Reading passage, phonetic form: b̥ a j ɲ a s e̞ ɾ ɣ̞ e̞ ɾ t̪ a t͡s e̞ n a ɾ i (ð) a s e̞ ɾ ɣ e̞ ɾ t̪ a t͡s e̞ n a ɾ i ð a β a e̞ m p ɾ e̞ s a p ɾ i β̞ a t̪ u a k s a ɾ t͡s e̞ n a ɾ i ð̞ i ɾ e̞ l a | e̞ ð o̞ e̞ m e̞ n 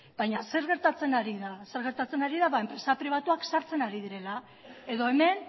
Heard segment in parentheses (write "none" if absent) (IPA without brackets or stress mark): ð